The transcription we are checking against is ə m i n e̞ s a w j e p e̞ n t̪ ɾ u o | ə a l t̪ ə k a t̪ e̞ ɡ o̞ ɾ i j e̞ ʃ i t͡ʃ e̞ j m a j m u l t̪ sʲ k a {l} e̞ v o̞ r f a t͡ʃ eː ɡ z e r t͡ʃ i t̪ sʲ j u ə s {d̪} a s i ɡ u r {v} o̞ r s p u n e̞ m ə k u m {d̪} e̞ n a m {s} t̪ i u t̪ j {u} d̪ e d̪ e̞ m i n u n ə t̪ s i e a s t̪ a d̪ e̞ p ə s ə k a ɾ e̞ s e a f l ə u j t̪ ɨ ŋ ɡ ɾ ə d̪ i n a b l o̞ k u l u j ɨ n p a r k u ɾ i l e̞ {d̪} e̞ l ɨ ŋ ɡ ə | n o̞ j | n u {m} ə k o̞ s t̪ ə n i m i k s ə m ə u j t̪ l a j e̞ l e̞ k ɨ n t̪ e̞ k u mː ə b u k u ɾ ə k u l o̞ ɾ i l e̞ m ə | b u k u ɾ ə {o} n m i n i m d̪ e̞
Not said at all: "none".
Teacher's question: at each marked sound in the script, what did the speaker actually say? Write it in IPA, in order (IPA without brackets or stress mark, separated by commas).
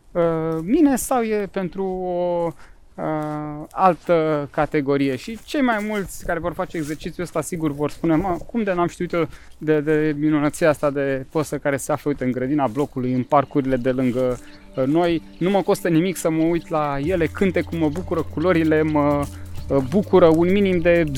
ɾ, t̪, v, d̪, ʃ, o, d̪, m, u